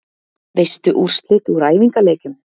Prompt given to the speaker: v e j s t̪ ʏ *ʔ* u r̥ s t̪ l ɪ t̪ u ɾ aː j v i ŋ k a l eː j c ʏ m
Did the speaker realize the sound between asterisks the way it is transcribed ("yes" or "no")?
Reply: yes